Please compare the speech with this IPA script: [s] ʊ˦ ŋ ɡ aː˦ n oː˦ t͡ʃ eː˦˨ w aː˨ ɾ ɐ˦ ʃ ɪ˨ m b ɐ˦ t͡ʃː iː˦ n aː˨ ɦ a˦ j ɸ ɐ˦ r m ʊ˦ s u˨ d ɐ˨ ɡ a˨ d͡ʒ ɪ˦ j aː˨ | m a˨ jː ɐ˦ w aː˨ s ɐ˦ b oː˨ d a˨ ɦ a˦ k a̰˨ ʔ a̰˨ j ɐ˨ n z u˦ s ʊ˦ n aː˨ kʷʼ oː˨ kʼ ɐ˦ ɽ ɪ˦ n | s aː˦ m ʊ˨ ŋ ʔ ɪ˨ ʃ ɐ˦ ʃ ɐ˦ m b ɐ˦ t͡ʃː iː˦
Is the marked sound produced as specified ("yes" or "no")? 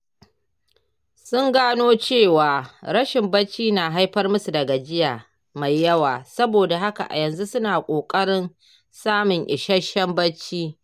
yes